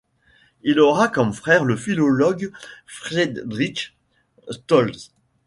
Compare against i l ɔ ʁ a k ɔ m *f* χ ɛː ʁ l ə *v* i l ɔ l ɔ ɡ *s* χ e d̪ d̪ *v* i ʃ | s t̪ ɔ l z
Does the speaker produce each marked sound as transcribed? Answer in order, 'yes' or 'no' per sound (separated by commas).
yes, no, no, no